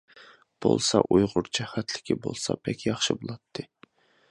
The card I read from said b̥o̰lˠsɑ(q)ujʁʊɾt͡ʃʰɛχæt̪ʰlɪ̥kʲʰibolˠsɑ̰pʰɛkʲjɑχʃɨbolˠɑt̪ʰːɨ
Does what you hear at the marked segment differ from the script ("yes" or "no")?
yes